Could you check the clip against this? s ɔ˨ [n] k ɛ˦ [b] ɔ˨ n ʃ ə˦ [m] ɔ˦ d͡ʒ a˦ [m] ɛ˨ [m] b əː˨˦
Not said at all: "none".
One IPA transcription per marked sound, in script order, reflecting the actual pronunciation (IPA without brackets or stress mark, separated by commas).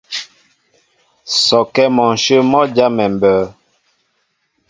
none, m, m, m, m